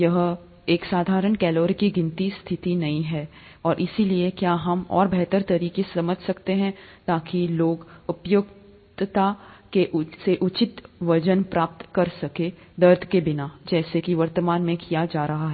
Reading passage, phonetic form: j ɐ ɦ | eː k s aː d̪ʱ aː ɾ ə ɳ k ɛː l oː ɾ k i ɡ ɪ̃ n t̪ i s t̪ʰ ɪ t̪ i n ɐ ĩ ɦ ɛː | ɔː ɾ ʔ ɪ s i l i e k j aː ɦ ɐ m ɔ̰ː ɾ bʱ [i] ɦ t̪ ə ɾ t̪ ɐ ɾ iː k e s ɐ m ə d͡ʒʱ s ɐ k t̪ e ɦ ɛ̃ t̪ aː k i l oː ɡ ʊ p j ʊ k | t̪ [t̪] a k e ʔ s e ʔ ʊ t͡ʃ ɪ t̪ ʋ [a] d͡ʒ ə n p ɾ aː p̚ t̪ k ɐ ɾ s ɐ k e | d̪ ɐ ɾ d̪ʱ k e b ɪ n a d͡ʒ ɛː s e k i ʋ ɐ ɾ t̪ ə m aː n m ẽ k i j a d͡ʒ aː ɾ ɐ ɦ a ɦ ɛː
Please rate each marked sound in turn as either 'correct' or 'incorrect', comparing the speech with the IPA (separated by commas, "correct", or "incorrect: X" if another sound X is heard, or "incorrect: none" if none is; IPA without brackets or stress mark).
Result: incorrect: ɛ, correct, incorrect: ɐ